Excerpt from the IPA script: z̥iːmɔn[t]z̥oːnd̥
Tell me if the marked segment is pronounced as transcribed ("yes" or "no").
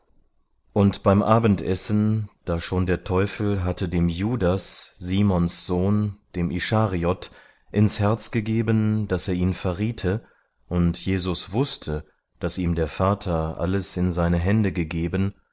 no